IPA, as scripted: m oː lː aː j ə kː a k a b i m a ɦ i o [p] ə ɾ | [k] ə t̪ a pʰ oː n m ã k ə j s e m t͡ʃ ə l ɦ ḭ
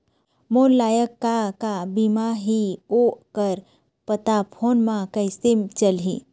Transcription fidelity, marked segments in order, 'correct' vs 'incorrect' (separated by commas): incorrect, incorrect